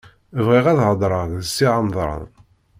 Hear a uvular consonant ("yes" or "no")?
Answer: yes